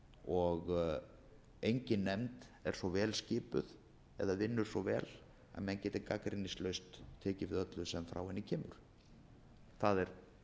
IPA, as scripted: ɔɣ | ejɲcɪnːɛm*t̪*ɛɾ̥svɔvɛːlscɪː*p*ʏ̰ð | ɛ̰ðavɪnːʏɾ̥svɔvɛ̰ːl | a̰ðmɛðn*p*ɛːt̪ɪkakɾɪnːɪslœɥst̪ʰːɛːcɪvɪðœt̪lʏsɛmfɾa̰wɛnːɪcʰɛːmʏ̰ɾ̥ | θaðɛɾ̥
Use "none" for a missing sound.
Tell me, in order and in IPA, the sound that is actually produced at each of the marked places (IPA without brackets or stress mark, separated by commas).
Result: t̪, p, c